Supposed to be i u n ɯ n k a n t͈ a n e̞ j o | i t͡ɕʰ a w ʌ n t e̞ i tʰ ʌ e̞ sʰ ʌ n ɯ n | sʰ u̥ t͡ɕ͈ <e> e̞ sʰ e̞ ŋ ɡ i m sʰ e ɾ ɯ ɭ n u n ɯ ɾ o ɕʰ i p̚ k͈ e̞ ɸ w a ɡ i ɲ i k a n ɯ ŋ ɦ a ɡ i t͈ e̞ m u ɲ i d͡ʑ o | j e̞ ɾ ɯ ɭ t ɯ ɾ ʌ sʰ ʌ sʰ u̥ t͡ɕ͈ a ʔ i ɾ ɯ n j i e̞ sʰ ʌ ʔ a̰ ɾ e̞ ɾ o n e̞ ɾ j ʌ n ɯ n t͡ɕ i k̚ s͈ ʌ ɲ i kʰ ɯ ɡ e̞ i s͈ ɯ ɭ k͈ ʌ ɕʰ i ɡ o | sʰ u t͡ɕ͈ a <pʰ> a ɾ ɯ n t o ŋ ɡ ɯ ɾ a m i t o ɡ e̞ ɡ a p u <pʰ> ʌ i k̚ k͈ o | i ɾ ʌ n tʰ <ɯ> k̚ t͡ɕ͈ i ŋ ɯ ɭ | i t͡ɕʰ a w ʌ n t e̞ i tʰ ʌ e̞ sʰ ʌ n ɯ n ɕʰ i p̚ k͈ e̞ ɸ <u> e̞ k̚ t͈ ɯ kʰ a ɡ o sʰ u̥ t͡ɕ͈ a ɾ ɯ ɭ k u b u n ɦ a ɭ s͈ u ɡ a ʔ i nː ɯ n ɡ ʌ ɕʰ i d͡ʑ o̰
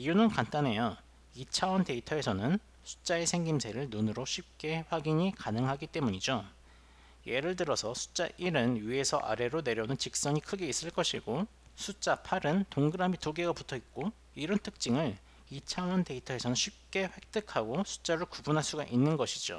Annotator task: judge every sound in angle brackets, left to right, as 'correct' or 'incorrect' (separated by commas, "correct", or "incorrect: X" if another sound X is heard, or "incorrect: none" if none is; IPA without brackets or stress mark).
incorrect: a, correct, incorrect: tʰ, correct, incorrect: w